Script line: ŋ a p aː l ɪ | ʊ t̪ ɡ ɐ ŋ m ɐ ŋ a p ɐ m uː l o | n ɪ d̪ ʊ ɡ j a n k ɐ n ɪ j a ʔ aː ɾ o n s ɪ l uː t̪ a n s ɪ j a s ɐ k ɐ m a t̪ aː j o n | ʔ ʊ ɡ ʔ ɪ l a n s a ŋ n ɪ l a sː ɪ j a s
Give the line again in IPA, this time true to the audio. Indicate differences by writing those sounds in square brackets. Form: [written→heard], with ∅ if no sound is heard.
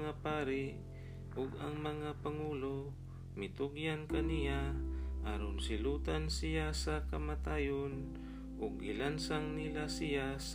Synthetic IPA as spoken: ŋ a p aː [l→ɾ] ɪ | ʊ [t̪→∅] ɡ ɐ ŋ m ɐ ŋ a p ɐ [m→ŋ] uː l o | [n→m] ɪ [d̪→t̪] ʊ ɡ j a n k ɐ n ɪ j a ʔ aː ɾ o n s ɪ l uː t̪ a n s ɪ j a s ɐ k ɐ m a t̪ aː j o n | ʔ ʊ ɡ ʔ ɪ l a n s a ŋ n ɪ l a [sː→s] ɪ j a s